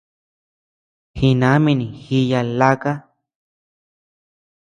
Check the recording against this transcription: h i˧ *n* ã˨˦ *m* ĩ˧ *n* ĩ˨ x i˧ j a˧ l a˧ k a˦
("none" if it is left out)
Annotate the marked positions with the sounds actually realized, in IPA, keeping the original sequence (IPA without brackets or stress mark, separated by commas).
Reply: n, m, n